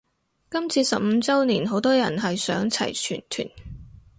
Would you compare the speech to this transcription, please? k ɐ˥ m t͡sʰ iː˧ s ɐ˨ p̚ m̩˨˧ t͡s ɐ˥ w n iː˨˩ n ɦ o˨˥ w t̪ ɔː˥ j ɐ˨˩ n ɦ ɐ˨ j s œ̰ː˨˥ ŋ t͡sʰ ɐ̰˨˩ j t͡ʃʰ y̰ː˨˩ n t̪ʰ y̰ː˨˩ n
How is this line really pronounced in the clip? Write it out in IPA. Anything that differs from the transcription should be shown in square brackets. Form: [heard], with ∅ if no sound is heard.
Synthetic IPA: k ɐ˥ m t͡sʰ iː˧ s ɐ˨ p̚ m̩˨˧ t͡s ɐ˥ w n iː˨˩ n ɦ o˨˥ w t̪ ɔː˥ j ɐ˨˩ n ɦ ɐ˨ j s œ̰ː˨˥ ŋ t͡sʰ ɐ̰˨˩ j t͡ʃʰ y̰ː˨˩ n t̪ʰ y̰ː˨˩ n